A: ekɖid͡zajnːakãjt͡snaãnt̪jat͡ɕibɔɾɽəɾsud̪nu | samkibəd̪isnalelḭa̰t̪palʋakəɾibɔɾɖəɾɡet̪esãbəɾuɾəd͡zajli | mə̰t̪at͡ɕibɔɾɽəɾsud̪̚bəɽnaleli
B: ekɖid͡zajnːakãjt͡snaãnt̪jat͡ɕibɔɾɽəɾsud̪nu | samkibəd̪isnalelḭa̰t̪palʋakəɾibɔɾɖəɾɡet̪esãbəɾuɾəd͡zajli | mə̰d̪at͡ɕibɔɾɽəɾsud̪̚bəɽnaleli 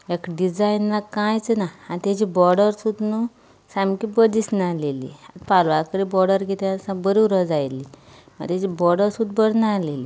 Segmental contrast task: A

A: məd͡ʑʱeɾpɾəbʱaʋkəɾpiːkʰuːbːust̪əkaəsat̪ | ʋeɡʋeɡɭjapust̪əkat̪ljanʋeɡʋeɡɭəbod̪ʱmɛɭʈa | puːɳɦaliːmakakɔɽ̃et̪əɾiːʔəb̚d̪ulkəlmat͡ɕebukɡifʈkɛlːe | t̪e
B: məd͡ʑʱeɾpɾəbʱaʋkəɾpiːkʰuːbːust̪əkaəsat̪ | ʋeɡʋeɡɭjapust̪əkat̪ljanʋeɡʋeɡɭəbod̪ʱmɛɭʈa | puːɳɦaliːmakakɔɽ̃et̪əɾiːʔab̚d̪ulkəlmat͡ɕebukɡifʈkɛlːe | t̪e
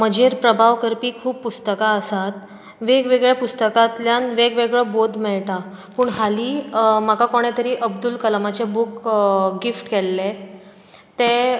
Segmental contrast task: A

